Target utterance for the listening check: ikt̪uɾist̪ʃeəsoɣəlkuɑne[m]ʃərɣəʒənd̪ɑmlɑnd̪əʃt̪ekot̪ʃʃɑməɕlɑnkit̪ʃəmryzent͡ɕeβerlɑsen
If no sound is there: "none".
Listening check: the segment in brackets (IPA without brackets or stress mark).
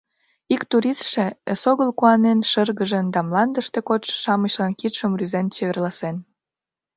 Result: n